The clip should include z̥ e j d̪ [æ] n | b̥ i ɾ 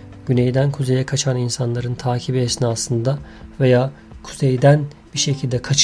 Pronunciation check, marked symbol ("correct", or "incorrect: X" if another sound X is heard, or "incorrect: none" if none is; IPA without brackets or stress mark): correct